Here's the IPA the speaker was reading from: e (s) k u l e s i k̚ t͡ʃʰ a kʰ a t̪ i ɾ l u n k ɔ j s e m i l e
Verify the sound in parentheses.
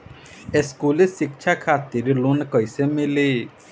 correct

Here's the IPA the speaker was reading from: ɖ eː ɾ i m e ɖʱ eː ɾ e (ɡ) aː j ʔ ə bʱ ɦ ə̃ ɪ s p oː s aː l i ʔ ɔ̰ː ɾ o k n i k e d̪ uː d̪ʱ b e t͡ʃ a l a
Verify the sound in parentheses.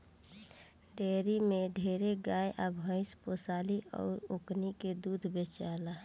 correct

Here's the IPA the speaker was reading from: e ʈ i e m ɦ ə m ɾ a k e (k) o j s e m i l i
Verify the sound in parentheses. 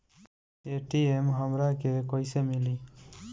correct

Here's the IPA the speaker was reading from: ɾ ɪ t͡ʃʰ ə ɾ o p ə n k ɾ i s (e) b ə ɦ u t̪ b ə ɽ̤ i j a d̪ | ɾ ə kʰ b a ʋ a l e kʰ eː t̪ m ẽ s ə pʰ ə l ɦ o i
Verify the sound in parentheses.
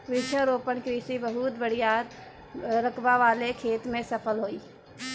incorrect: i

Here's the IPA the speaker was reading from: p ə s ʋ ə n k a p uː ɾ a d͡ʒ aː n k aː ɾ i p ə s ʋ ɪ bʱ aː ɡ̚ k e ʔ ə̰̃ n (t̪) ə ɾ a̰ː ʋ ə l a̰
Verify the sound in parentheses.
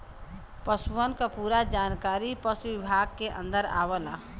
incorrect: d̪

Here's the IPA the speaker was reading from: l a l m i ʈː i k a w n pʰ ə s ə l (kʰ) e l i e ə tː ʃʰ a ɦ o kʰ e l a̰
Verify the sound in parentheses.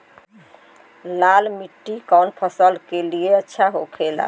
incorrect: k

